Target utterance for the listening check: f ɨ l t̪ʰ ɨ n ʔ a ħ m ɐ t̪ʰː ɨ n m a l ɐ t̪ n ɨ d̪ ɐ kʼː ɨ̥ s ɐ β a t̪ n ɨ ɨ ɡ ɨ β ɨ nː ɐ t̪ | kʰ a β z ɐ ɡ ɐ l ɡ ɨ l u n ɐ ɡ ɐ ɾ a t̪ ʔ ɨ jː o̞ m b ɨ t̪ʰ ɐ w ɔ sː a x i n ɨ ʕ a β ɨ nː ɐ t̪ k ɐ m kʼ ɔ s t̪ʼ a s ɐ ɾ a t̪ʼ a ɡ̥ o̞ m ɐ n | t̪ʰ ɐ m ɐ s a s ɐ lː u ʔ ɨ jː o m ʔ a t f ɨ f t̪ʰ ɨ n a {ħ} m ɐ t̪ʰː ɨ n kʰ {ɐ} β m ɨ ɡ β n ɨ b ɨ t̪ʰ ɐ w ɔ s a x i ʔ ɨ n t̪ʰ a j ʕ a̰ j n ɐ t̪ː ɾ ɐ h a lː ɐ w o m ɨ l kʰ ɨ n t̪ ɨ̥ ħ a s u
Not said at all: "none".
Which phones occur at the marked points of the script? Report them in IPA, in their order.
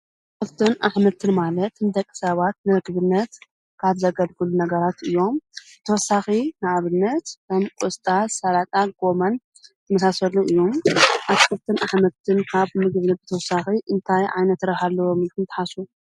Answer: ħ, a

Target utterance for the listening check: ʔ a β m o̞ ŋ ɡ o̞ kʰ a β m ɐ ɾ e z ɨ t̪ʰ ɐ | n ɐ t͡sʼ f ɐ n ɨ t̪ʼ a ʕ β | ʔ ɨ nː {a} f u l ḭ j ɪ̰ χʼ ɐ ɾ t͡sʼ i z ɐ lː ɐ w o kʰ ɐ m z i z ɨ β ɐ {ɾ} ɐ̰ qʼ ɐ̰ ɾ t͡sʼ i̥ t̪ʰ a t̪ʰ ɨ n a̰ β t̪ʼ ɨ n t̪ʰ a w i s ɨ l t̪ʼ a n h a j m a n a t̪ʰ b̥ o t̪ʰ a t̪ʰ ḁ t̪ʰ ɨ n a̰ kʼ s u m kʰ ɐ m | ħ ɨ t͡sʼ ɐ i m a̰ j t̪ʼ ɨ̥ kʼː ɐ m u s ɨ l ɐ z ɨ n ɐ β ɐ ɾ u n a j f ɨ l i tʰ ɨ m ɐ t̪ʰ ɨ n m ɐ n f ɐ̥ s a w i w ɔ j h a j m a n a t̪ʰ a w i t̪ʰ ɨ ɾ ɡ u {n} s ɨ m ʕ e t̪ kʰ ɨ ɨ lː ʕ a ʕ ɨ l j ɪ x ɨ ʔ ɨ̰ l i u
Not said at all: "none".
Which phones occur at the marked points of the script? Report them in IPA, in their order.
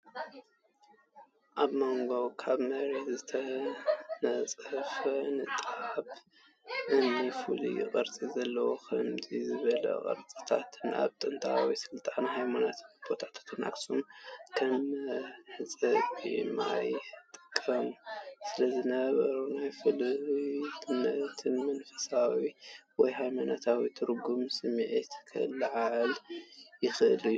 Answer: i, l, m

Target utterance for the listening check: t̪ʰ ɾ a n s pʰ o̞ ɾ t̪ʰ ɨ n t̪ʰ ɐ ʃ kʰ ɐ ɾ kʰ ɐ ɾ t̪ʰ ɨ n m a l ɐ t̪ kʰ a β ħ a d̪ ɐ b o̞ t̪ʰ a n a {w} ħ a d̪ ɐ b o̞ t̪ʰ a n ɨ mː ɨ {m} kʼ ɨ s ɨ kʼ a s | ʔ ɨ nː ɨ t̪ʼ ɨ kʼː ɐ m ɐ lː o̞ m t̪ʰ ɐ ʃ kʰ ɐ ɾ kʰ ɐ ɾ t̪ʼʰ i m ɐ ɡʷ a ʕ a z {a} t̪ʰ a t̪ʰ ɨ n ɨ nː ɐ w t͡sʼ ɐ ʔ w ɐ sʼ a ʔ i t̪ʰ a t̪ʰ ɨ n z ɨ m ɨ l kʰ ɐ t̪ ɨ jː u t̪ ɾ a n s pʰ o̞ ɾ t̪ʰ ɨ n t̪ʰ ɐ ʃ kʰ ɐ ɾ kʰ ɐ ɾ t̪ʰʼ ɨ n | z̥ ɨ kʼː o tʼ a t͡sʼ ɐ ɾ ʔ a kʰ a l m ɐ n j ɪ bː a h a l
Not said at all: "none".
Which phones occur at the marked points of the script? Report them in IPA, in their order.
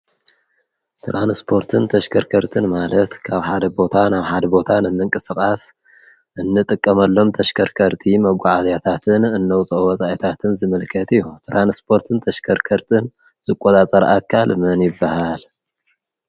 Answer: β, ŋ, a

